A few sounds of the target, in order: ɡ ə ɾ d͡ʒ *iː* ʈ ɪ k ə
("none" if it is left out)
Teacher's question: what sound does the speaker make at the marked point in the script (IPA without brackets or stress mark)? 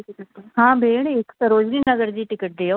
iː